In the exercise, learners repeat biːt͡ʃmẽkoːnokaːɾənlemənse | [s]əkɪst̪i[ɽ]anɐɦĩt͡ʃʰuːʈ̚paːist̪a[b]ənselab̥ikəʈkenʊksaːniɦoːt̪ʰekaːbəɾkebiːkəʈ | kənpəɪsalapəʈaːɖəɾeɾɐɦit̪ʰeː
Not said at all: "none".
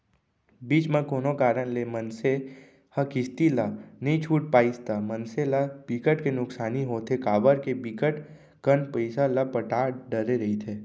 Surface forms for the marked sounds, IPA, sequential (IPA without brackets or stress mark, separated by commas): h, l, m